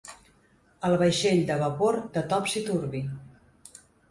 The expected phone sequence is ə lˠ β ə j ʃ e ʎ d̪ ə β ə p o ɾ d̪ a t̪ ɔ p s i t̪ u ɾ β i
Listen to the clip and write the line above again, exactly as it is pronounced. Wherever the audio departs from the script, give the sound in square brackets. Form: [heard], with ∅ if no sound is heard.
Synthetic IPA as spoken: ə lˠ β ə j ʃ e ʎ d̪ ə β ə p o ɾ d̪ [ə] t̪ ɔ p s i t̪ u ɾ β i